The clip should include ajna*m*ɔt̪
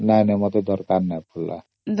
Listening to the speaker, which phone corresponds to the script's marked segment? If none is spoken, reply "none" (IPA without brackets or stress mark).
m